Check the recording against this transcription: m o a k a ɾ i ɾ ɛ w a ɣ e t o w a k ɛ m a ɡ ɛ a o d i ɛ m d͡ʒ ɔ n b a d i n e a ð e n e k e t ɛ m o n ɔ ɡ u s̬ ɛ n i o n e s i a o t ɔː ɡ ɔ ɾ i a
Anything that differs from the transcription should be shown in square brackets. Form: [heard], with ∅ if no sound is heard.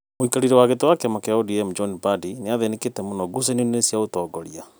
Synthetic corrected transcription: m o [i] k a ɾ i ɾ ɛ w a ɣ e t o w a k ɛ m a [k] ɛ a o d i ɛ m d͡ʒ ɔ n b a d i n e a ð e n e k e t ɛ m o n ɔ ɡ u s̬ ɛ n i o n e s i a o t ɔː ɡ ɔ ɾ i a